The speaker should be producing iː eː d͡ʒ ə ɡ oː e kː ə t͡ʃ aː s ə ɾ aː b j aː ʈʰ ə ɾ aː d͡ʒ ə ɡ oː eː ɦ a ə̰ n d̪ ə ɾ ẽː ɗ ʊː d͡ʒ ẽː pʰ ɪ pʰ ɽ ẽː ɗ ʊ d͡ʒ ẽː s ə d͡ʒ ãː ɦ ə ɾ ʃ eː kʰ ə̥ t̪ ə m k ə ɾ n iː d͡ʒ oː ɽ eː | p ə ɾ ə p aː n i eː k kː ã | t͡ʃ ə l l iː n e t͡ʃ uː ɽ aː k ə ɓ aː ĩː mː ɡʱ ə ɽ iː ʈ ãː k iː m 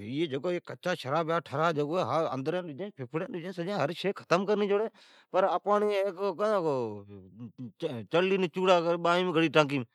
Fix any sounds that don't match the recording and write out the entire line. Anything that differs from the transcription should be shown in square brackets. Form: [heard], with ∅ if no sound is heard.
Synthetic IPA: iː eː d͡ʒ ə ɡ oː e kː ə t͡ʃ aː [ʃ] ə ɾ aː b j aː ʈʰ ə ɾ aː d͡ʒ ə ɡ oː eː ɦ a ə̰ n d̪ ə ɾ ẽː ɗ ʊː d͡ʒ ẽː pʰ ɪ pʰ ɽ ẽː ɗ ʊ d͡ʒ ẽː s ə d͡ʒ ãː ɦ ə ɾ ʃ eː kʰ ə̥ t̪ ə m k ə ɾ n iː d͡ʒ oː ɽ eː | p ə ɾ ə p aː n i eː k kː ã | t͡ʃ ə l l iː n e t͡ʃ uː ɽ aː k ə ɓ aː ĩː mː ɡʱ ə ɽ iː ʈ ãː k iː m